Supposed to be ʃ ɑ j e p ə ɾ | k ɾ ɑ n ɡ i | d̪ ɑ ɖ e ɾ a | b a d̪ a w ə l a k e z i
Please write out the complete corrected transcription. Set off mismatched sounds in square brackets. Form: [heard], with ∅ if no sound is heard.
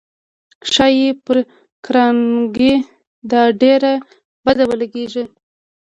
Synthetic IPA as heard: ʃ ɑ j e p ə ɾ | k ɾ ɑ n ɡ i | d̪ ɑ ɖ e ɾ a | b a d̪ a w ə l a [ɡ] e [ʒ] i